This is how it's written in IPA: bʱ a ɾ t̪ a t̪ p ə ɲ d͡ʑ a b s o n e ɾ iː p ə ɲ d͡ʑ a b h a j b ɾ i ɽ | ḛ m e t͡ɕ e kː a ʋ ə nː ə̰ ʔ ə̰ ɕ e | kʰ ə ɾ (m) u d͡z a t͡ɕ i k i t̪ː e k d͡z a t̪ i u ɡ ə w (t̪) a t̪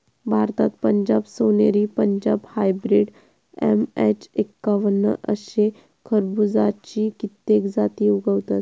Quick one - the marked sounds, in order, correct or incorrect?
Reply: incorrect, correct

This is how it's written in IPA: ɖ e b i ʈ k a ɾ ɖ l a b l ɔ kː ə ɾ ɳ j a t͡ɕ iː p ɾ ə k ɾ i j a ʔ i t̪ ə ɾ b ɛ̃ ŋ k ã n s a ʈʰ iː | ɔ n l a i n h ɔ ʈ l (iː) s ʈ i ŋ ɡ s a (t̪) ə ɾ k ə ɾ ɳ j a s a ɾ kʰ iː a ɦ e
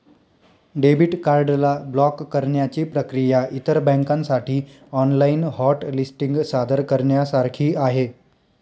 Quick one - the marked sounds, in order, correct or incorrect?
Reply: incorrect, incorrect

